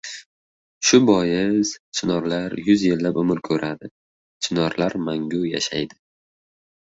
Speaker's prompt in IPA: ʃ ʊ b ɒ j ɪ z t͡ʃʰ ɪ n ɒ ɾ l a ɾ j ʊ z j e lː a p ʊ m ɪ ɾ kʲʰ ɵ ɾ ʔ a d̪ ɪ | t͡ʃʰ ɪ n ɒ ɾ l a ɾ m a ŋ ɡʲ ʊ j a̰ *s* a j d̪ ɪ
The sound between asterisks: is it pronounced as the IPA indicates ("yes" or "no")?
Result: no